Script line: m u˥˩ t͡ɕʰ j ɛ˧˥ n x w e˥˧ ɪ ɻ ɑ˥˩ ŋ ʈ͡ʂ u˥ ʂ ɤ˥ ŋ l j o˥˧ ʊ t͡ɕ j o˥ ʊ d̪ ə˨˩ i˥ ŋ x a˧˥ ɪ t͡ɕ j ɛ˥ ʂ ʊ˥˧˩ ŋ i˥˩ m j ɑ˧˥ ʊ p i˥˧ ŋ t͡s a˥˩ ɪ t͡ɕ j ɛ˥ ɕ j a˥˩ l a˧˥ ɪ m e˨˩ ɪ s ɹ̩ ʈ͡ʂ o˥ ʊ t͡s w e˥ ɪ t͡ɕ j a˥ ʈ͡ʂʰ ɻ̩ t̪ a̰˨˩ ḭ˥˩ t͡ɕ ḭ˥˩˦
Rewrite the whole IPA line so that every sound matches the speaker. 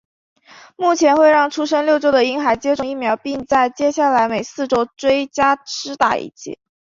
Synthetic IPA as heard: m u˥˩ t͡ɕʰ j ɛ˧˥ n x w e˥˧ ɪ ɻ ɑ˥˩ ŋ ʈ͡ʂʰ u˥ ʂ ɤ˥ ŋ l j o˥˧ ʊ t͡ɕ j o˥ ʊ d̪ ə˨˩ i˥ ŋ x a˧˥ ɪ t͡ɕ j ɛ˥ ʈ͡ʂ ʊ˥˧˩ ŋ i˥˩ m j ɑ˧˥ ʊ p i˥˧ ŋ t͡s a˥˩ ɪ t͡ɕ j ɛ˥ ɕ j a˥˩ l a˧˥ ɪ m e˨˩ ɪ s ɹ̩ ʈ͡ʂ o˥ ʊ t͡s w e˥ ɪ t͡ɕ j a˥ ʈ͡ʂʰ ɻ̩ t̪ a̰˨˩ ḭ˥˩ t͡ɕ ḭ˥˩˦